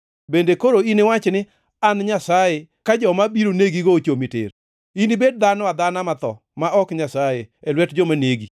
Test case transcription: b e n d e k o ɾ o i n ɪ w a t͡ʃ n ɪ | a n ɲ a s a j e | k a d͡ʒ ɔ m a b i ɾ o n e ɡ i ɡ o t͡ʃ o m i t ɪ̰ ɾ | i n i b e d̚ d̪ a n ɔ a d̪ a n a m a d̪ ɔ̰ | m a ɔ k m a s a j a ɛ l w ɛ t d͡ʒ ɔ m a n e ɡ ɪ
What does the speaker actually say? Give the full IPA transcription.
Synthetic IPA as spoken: b e n d e k o ɾ o i n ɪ w a t͡ʃ n ɪ | a n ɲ a s a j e | k a d͡ʒ ɔ m a b i ɾ o n e ɡ i ɡ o t͡ʃ o m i t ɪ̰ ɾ | i n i b e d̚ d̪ a n ɔ a d̪ a n a m a t̪ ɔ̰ | m a ɔ k ɲ a s a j e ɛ l w ɛ t d͡ʒ ɔ m a n e ɡ i